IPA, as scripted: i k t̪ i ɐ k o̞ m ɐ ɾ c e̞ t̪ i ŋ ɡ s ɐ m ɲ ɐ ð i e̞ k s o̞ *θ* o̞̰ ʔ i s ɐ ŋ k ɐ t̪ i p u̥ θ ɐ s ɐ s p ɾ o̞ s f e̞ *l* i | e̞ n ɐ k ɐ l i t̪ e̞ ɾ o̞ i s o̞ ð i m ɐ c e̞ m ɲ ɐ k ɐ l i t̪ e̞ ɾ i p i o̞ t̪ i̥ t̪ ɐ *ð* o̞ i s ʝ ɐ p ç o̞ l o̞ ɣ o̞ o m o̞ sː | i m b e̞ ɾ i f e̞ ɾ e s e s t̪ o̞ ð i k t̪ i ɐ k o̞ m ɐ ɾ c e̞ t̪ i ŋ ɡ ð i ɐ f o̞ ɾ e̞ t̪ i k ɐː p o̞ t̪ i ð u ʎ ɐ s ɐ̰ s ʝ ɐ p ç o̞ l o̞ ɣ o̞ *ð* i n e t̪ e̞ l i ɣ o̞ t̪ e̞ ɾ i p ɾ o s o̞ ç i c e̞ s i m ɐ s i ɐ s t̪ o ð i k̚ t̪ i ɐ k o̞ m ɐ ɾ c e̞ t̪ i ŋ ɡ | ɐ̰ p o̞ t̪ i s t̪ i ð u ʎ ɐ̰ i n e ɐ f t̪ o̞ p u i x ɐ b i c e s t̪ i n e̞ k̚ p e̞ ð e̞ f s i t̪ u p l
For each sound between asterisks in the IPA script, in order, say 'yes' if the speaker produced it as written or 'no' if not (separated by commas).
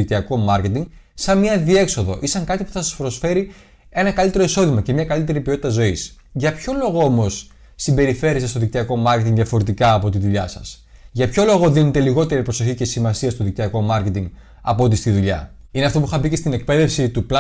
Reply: no, no, no, yes